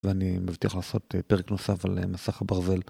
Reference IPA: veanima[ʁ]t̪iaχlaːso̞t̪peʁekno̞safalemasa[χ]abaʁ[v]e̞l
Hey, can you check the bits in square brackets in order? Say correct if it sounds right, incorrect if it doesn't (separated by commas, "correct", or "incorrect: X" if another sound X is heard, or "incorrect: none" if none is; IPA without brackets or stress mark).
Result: incorrect: v, correct, incorrect: z